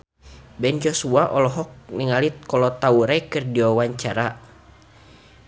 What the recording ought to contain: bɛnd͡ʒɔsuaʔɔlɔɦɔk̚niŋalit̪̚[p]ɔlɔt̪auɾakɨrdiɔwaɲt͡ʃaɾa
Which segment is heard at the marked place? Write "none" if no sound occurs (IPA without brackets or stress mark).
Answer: k